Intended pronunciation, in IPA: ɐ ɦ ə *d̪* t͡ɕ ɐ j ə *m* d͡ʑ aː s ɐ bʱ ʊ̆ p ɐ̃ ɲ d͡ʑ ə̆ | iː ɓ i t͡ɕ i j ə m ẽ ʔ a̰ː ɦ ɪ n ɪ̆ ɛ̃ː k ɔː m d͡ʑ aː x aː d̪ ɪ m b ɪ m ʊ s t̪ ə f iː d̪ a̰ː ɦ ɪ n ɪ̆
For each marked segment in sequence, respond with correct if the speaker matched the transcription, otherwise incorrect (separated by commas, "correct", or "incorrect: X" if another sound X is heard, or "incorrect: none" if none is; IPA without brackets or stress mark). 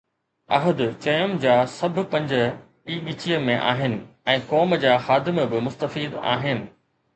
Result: correct, correct